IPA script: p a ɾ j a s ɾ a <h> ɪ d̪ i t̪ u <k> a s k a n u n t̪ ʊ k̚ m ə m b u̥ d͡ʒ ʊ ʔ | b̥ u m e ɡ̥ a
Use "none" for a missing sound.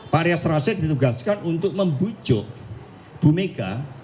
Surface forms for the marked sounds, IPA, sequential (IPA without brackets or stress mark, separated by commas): s, ɡ